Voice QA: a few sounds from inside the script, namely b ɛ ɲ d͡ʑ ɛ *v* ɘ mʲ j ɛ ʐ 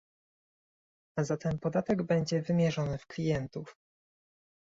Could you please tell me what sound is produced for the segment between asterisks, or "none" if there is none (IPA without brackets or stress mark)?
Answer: v